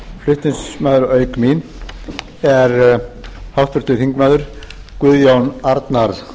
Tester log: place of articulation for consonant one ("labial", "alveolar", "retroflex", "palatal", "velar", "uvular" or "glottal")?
labial